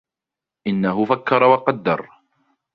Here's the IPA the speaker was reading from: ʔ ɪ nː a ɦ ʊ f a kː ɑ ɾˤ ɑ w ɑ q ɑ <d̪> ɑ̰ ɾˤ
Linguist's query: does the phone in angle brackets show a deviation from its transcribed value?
yes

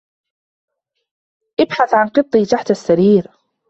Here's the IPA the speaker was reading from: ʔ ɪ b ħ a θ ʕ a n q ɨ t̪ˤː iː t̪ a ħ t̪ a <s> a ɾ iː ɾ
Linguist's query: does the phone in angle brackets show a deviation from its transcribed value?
yes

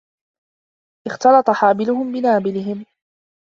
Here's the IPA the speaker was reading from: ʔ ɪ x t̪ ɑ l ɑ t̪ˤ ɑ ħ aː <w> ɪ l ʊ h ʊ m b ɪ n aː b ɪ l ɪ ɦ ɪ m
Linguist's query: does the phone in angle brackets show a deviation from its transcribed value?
yes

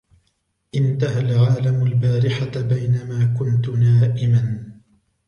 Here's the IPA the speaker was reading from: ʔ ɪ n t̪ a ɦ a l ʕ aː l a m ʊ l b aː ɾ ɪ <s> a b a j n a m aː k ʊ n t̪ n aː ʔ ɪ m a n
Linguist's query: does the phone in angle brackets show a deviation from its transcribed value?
yes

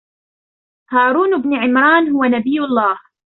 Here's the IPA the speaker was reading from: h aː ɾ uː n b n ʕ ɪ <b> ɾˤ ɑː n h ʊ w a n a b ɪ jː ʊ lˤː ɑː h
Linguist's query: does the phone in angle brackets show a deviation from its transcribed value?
yes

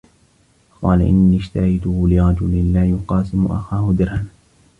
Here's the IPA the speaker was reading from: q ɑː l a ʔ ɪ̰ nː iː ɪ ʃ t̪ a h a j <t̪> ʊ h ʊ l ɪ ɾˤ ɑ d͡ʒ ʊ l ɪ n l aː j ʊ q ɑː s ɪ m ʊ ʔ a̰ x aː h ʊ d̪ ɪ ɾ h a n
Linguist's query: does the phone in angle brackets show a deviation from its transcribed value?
no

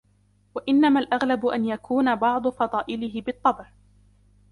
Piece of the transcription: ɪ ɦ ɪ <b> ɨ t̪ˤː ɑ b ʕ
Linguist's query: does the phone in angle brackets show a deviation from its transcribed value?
no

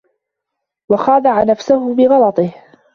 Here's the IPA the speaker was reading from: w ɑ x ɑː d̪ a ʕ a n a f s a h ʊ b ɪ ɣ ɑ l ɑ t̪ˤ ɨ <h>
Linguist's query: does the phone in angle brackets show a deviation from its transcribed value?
no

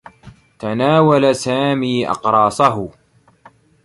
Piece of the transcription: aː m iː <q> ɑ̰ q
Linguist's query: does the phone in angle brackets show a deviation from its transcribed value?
yes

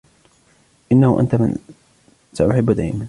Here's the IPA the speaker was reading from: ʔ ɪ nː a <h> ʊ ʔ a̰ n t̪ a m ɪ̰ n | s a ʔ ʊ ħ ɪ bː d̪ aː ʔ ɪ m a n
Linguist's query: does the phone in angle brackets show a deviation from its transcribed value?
no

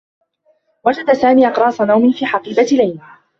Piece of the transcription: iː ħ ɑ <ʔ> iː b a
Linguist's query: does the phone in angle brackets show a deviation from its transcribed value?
yes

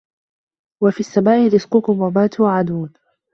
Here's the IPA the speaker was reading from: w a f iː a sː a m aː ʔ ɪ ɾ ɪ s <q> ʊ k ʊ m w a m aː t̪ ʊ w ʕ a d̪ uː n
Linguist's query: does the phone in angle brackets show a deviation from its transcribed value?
no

